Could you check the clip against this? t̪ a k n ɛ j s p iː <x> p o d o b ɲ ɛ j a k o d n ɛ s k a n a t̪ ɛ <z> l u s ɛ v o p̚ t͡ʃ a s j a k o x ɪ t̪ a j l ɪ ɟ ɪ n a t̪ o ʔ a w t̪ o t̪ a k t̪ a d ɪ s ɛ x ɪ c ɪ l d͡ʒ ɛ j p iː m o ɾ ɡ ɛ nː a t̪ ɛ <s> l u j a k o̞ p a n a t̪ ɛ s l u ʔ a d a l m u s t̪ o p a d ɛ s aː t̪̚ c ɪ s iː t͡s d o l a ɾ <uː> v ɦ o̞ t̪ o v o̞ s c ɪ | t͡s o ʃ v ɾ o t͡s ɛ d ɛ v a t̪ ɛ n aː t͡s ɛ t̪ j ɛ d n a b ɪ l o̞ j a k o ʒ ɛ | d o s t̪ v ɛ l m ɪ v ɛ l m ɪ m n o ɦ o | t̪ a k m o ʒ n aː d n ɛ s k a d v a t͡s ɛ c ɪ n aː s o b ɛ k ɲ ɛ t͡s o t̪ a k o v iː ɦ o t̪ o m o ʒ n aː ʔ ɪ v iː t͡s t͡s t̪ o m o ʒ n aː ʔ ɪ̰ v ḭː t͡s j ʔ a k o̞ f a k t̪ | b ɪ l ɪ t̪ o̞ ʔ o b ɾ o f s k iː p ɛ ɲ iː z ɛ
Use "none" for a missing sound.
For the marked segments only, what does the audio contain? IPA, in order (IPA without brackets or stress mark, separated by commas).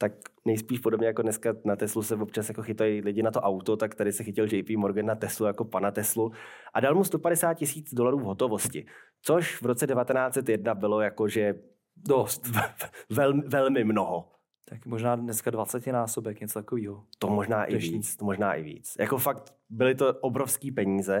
ʃ, s, s, uː